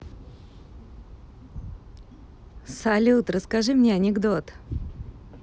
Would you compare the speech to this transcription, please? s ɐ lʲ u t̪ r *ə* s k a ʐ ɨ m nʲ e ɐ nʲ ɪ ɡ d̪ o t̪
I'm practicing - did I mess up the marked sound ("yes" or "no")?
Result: no